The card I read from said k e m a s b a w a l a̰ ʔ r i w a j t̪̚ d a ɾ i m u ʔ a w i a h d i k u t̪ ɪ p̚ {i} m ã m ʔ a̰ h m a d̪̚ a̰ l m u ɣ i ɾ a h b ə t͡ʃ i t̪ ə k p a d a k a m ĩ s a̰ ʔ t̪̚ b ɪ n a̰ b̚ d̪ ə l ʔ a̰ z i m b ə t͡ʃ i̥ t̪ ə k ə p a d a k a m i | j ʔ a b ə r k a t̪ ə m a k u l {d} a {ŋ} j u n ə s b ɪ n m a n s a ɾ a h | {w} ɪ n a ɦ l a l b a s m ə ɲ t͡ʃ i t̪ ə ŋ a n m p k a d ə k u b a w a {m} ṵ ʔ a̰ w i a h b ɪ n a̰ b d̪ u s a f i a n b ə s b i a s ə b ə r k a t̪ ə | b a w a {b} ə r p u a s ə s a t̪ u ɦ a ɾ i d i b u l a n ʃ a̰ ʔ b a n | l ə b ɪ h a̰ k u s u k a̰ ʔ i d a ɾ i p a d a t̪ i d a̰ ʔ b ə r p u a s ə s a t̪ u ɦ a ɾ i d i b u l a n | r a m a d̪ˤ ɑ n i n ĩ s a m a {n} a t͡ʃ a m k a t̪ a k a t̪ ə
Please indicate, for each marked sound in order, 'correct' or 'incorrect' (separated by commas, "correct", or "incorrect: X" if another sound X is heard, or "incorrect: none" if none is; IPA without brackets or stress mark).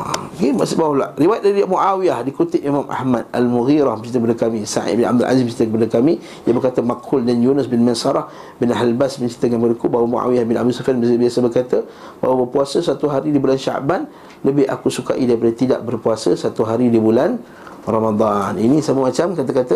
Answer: correct, correct, incorrect: n, incorrect: b, correct, correct, incorrect: m